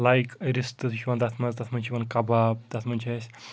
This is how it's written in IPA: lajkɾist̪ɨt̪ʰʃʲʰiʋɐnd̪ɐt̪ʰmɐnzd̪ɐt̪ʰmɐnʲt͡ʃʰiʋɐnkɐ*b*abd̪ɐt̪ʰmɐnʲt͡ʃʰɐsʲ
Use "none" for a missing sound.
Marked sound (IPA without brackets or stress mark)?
b